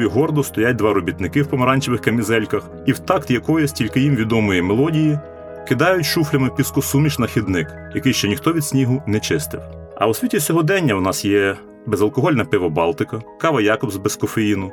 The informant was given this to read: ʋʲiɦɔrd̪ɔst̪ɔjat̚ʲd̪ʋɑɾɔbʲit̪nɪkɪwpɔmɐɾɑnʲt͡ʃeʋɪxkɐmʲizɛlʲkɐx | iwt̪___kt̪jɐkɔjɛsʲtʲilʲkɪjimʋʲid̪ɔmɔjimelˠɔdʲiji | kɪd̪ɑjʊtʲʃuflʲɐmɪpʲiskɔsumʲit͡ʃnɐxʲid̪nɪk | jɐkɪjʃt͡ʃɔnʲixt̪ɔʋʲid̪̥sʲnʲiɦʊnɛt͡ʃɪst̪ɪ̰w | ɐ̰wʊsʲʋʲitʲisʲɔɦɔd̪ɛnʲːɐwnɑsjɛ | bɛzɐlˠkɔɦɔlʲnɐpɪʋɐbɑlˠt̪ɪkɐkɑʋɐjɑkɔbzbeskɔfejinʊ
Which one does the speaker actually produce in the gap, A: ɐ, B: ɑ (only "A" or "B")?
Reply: B